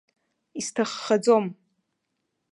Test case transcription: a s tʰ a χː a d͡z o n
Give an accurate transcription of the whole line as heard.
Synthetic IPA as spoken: i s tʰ a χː a d͡z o m